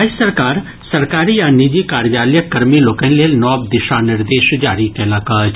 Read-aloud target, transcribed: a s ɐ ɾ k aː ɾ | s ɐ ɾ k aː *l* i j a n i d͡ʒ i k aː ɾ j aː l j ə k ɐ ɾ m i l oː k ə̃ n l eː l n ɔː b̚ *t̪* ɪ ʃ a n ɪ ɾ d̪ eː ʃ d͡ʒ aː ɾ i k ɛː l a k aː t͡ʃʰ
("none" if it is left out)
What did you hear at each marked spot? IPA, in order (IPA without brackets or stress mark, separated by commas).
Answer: ɾ, d̪